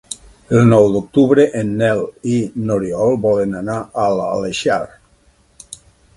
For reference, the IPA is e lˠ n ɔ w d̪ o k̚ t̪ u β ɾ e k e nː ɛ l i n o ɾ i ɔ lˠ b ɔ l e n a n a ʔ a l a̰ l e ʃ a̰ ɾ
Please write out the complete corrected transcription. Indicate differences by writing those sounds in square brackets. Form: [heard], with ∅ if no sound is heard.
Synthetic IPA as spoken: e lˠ n ɔ w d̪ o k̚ t̪ u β ɾ e [ʔ] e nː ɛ l i n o ɾ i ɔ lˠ b ɔ l e n a n a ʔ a l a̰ l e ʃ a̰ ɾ